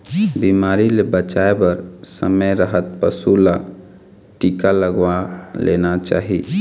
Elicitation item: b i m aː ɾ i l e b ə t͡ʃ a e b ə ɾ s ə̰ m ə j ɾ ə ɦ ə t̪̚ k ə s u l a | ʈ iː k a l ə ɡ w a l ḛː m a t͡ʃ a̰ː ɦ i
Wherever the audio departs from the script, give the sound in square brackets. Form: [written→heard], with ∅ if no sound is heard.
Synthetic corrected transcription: b i m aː ɾ i l e b ə t͡ʃ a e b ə ɾ s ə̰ m ə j ɾ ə ɦ ə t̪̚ [k→p] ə s u l a | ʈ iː k a l ə ɡ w a l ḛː [m→n] a t͡ʃ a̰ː ɦ i